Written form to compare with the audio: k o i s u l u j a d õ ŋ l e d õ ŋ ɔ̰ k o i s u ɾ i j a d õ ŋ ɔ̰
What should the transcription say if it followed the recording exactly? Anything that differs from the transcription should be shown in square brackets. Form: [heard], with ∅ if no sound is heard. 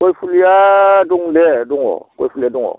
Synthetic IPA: k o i [f] u l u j a d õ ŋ l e d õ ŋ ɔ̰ k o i [f] u [l] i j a d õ ŋ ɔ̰